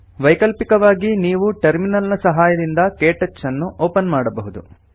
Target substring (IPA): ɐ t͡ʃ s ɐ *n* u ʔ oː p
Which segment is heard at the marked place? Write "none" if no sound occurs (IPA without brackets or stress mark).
nː